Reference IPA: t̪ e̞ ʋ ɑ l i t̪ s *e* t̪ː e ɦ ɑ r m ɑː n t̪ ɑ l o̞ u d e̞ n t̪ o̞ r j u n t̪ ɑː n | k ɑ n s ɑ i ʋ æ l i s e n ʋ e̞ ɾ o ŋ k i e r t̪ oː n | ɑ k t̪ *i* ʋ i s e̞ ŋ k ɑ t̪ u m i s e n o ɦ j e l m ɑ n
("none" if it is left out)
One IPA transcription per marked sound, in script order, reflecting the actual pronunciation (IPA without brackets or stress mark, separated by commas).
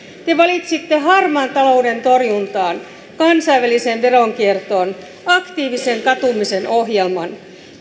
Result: i, iː